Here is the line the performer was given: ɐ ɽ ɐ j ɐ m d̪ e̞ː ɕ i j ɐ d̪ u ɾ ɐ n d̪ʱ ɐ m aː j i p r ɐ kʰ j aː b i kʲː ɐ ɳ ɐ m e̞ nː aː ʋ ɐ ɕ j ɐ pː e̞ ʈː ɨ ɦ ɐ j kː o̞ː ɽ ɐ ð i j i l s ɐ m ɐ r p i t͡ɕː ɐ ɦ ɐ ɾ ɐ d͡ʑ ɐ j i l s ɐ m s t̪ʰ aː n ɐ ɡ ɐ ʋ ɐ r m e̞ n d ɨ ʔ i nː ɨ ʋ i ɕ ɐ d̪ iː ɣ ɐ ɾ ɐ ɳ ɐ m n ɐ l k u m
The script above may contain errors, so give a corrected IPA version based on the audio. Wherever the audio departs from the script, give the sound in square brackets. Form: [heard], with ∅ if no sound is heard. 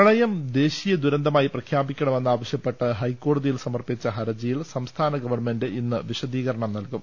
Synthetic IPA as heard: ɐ [ɭ] ɐ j ɐ m d̪ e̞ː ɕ i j ɐ d̪ u ɾ ɐ n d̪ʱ ɐ m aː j i p r ɐ kʰ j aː b i kʲː ɐ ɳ ɐ m e̞ nː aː ʋ ɐ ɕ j ɐ pː e̞ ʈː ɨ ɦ ɐ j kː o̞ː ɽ ɐ ð i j i l s ɐ m ɐ r p i t͡ɕː ɐ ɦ ɐ ɾ ɐ d͡ʑ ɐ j i l s ɐ m s t̪ʰ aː n ɐ ɡ ɐ ʋ ɐ r m e̞ n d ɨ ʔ i nː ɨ ʋ i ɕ ɐ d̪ iː ɣ ɐ ɾ ɐ ɳ ɐ m n ɐ l k u m